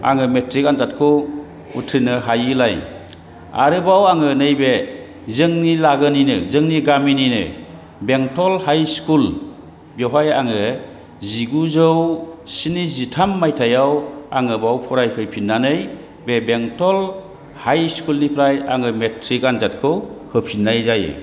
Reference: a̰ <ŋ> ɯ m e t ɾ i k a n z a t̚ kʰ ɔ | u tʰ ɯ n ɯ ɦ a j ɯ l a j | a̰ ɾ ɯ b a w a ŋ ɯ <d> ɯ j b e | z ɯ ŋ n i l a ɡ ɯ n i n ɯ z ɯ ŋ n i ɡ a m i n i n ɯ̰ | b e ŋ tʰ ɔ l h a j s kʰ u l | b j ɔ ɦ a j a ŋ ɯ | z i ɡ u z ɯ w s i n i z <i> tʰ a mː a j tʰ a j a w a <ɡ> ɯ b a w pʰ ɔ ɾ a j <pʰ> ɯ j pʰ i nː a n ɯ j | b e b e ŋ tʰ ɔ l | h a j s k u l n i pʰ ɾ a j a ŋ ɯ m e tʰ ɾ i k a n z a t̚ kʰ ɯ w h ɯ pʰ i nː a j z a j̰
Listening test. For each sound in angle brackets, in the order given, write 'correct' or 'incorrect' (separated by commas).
correct, incorrect, correct, incorrect, correct